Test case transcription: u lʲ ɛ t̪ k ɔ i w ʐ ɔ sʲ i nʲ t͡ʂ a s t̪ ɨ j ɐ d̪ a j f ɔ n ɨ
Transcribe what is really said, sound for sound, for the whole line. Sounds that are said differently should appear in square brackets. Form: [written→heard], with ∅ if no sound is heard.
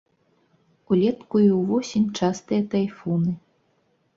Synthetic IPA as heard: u lʲ ɛ t̪ k [ɔ→u] i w [ʐ→v] ɔ sʲ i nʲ t͡ʂ a s t̪ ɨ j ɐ [d̪→t̪] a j f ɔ n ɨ

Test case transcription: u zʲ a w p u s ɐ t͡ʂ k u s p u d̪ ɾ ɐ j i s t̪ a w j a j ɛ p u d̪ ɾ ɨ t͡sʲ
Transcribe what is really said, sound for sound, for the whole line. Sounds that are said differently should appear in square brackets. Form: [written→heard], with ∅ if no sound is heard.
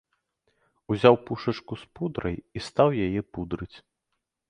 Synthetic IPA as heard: u zʲ a w p u [s→ʂ] ɐ t͡ʂ k u s p u d̪ ɾ ɐ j i s t̪ a w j a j ɛ p u d̪ ɾ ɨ t͡sʲ

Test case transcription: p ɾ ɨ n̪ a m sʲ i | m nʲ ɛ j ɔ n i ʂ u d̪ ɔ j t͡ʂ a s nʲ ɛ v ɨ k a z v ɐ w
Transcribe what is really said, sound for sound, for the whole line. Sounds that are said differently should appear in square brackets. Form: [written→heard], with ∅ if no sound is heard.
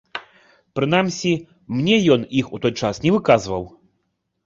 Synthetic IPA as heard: p ɾ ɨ n̪ a m sʲ i | m nʲ ɛ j ɔ n i [ʂ→x] u [d̪→t̪] ɔ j t͡ʂ a s nʲ ɛ v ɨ k a z v ɐ w

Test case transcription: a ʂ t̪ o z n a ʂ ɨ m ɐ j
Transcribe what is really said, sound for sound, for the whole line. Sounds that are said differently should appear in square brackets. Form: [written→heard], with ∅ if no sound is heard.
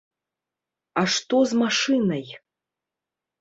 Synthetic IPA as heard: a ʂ t̪ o z [n→m] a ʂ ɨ [m→n] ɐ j

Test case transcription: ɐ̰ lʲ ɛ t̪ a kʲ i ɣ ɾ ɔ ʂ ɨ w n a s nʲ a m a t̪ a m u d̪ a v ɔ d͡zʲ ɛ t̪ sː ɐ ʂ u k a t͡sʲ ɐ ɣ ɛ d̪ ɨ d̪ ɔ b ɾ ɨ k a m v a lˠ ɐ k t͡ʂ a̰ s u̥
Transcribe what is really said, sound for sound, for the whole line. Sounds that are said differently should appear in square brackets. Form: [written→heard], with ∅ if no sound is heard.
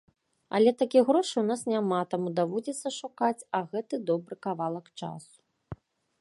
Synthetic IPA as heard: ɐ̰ lʲ ɛ t̪ a kʲ i ɣ ɾ ɔ ʂ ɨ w n a s nʲ a m a t̪ a m u d̪ a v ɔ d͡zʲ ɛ t̪ sː ɐ ʂ u k a t͡sʲ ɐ ɣ ɛ [d̪→t̪] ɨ d̪ ɔ b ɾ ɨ k a [m→∅] v a lˠ ɐ k t͡ʂ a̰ s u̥

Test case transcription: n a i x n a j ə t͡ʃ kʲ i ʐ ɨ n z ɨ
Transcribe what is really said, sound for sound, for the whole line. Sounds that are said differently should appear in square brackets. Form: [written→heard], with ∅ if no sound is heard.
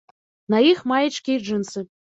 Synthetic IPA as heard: n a i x [n→m] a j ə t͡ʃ kʲ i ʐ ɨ n [z→s] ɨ

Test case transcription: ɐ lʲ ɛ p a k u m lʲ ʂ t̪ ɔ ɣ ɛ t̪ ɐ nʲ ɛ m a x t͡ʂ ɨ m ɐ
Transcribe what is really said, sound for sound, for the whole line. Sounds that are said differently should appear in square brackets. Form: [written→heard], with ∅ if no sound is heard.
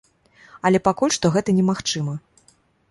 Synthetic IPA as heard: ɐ lʲ ɛ p a k u [m→∅] lʲ ʂ t̪ ɔ ɣ ɛ t̪ ɐ nʲ ɛ m a x t͡ʂ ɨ m ɐ

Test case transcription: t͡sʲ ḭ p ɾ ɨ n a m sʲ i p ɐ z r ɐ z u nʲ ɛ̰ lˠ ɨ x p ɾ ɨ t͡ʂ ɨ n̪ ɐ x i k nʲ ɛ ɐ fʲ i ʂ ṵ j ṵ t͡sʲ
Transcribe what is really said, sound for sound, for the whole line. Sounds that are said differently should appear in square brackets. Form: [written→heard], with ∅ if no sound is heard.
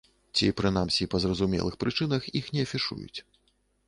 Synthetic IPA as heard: t͡sʲ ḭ p ɾ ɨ n a m sʲ i p ɐ z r ɐ z u [nʲ→mʲ] ɛ̰ lˠ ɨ x p ɾ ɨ t͡ʂ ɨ n̪ ɐ x i [k→x] nʲ ɛ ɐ fʲ i ʂ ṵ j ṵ t͡sʲ

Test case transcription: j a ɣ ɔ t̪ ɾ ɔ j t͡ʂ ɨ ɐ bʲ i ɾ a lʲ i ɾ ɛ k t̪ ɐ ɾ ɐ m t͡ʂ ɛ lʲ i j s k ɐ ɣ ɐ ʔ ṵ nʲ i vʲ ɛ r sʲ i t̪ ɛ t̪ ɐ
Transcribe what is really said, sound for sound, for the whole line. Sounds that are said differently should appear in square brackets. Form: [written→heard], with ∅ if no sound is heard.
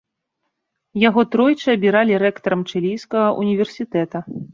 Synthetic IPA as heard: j a ɣ ɔ t̪ ɾ ɔ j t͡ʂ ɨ ɐ bʲ i ɾ a lʲ i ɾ ɛ k t̪ ɐ ɾ ɐ m t͡ʂ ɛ lʲ i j s k ɐ ɣ ɐ ʔ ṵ nʲ i vʲ ɛ r sʲ i t̪ ɛ t̪ ɐ

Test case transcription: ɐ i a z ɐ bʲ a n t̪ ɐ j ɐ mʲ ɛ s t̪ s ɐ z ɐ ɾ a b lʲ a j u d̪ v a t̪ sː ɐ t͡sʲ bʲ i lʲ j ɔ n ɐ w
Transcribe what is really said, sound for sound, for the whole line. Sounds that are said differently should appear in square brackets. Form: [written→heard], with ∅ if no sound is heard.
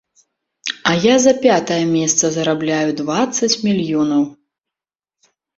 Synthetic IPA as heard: ɐ [i→j] a z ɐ [bʲ→pʲ] a [n→∅] t̪ ɐ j ɐ mʲ ɛ s t̪ s ɐ z ɐ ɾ a b lʲ a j u d̪ v a t̪ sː ɐ t͡sʲ [bʲ→mʲ] i lʲ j ɔ n ɐ w

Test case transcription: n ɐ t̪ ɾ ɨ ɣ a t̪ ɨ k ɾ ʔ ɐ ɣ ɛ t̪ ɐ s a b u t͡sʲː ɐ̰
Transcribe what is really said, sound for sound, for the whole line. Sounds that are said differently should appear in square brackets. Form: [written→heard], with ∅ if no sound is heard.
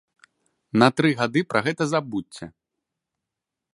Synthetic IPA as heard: n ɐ t̪ ɾ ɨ ɣ a [t̪→d̪] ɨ [k→p] ɾ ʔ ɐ ɣ ɛ t̪ ɐ [s→z] a b u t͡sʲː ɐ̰

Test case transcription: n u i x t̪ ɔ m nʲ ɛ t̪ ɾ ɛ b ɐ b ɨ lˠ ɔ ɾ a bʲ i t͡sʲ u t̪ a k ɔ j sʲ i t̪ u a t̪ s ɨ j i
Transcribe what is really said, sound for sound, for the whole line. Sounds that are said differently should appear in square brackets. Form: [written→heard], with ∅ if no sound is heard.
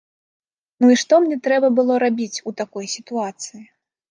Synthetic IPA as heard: n u i [x→ʂ] t̪ ɔ m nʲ ɛ t̪ ɾ ɛ b ɐ b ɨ lˠ ɔ ɾ a bʲ i t͡sʲ u t̪ a k ɔ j sʲ i t̪ u a t̪ s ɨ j i

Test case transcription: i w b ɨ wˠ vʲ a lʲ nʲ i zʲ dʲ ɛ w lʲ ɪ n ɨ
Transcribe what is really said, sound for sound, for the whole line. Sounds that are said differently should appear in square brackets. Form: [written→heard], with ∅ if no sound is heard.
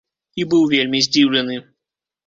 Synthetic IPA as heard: i [w→∅] b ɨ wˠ vʲ [a→e] lʲ [nʲ→mʲ] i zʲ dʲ [ɛ→i] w lʲ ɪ n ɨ

